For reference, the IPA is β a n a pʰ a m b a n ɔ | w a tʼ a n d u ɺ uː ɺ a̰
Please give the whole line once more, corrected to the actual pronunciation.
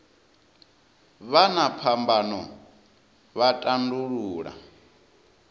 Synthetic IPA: β a n a pʰ a m b a n ɔ | β a tʼ a n d u ɺ uː ɺ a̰